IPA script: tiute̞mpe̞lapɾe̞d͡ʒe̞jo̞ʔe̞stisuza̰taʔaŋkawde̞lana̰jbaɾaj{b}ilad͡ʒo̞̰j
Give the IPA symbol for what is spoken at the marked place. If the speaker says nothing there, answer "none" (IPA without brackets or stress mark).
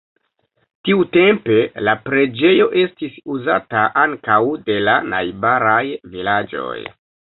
v